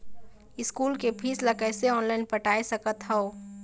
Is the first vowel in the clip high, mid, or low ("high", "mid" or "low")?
high